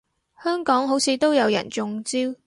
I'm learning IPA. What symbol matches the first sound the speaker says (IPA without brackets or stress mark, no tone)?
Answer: h